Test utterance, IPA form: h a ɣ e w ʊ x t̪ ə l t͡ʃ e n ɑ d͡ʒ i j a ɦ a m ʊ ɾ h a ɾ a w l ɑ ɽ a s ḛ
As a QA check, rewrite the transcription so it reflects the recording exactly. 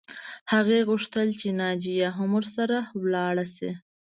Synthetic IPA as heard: h a ɣ e ɣ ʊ ʂ t̪ ə l t͡ʃ e n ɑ d͡ʒ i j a ɦ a m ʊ ɾ s a ɾ a w l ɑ ɽ a s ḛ